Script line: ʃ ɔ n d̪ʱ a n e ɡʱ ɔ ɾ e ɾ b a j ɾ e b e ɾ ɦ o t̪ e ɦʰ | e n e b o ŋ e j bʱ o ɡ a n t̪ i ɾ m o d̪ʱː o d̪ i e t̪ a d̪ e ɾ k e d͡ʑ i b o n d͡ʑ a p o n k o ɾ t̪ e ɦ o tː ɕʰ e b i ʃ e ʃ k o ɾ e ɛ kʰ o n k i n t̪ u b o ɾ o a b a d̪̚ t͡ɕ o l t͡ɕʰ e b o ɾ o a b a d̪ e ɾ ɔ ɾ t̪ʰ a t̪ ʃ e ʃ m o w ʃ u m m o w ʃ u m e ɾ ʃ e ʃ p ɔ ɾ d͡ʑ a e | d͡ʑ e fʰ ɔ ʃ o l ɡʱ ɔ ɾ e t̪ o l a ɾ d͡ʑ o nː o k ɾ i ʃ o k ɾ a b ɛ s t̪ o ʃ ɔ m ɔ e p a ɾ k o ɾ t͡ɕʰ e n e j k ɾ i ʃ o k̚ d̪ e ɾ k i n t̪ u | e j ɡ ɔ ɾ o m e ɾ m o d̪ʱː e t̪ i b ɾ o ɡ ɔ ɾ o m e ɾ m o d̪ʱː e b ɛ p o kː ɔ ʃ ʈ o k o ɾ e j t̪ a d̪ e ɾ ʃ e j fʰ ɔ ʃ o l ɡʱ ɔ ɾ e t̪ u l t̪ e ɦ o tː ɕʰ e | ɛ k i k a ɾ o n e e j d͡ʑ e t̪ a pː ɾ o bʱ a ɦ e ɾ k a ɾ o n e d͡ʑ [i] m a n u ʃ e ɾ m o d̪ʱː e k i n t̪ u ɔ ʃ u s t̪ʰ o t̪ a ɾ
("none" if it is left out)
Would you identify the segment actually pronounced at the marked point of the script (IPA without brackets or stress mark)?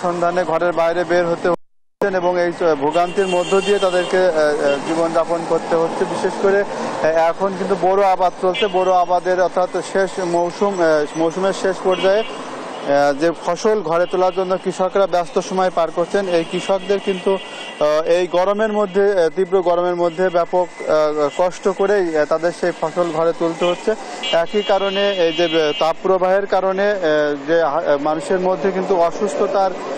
e